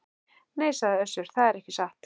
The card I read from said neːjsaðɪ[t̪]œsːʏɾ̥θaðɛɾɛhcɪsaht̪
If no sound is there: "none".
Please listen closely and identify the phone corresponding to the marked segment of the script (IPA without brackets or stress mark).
none